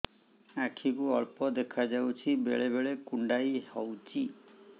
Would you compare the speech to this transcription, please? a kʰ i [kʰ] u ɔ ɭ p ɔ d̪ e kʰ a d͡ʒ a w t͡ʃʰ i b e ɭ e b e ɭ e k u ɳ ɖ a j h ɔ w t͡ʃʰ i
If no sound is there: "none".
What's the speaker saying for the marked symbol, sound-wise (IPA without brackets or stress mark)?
k